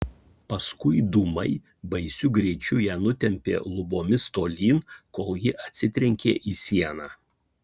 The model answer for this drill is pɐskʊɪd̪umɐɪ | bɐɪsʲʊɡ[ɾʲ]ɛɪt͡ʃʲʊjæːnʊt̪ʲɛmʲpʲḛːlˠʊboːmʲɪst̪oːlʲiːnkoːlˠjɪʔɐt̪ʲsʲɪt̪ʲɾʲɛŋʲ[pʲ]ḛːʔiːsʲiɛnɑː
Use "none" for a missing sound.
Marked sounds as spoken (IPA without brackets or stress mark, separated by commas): ɾʲ, kʲ